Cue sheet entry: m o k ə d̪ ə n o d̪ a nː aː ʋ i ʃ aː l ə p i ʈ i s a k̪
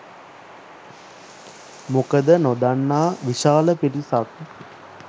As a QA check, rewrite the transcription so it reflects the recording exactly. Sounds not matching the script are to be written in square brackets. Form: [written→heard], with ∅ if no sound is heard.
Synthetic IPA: m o k ə d̪ ə n o d̪ a nː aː ʋ i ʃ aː l ə p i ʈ i s a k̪